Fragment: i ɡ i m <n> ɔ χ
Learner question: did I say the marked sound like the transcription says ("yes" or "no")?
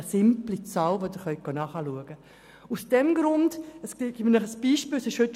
yes